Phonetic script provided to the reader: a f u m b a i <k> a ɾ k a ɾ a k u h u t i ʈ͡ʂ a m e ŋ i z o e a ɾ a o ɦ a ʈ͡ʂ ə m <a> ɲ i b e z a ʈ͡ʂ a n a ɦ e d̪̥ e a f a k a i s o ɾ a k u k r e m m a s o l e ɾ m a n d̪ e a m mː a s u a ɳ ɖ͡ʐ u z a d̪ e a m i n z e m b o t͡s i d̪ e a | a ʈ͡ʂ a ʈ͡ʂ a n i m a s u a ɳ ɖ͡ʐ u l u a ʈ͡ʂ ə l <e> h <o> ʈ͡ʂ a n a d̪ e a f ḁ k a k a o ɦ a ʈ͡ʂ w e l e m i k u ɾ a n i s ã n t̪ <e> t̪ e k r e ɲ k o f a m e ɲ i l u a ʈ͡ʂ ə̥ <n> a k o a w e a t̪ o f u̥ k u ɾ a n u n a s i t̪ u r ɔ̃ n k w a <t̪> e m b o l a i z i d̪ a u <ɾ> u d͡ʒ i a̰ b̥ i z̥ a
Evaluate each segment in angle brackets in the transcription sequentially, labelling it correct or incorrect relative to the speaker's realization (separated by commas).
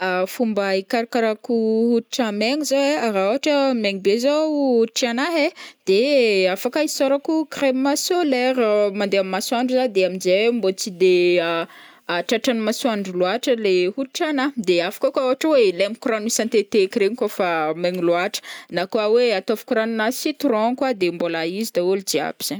correct, incorrect, correct, incorrect, correct, correct, incorrect, incorrect